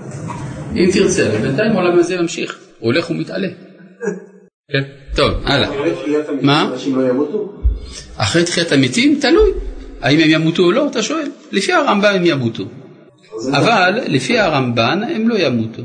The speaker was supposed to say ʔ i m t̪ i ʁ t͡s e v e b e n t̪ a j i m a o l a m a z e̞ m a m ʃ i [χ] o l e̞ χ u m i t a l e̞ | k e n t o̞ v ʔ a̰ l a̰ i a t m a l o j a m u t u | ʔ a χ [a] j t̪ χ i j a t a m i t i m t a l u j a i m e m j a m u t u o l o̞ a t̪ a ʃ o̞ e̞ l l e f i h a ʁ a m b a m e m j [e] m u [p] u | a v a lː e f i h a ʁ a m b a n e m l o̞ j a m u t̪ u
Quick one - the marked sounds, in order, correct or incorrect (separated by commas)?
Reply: correct, incorrect, incorrect, incorrect